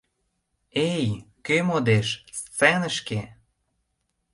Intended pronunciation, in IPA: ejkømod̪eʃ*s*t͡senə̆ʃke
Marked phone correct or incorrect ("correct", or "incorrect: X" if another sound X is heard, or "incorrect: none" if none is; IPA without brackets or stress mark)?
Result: correct